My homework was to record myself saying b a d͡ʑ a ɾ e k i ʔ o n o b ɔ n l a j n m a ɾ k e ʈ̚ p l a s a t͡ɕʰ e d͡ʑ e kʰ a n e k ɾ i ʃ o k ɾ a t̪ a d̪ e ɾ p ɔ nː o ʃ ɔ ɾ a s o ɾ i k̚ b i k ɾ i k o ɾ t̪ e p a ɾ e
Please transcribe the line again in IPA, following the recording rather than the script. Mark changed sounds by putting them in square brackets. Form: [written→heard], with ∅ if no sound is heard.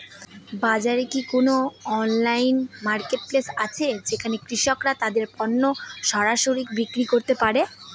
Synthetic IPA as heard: b a d͡ʑ a ɾ e k i [ʔ→k] o n o [b→∅] ɔ n l a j n m a ɾ k e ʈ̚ p l [a→e] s a t͡ɕʰ e d͡ʑ e kʰ a n e k ɾ i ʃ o k ɾ a t̪ a d̪ e ɾ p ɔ nː o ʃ ɔ ɾ a [s→ʃ] o ɾ i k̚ b i k ɾ i k o ɾ t̪ e p a ɾ e